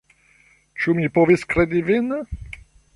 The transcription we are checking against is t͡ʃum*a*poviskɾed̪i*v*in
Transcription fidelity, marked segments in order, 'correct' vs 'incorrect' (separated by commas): incorrect, correct